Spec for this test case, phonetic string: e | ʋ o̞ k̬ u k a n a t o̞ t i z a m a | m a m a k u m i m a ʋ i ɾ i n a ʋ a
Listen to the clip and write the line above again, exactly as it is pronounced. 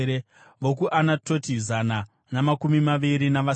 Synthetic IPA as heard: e | ʋ o̞ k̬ u ʔ a n a t o̞ t i z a n a | n a m a k u m i m a ʋ i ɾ i n a ʋ a